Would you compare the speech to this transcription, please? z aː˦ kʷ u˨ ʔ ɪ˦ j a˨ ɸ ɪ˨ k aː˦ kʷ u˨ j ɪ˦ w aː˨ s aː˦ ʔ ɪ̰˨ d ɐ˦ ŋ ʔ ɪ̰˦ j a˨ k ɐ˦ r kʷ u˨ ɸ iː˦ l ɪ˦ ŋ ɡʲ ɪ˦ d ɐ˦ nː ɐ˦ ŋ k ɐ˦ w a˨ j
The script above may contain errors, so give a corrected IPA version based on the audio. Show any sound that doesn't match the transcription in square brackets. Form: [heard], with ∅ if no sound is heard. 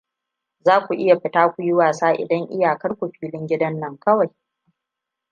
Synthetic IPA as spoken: z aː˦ kʷ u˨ ʔ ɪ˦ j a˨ ɸ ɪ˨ [t] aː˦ kʷ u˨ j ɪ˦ w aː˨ s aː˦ ʔ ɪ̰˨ d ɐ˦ ŋ ʔ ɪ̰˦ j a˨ k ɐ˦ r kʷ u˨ ɸ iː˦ l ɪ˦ ŋ ɡʲ ɪ˦ d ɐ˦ nː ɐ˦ ŋ k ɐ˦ w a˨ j